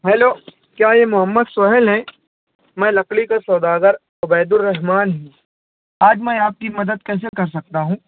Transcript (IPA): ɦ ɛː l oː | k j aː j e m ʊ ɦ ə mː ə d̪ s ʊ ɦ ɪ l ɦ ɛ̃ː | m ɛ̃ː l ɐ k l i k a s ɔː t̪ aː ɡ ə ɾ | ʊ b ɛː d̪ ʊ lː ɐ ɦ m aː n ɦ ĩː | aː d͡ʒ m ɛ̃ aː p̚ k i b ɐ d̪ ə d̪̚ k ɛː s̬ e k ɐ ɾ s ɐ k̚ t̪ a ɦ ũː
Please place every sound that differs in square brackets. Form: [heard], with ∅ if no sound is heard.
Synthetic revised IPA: ɦ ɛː l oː | k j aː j e m ʊ ɦ ə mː ə d̪ s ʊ ɦ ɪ l ɦ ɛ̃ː | m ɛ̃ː l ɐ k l i k a s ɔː [d̪] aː ɡ ə ɾ | ʊ b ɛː d̪ ʊ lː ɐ ɦ m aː n ɦ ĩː | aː d͡ʒ m ɛ̃ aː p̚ k i [m] ɐ d̪ ə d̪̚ k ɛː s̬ e k ɐ ɾ s ɐ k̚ t̪ a ɦ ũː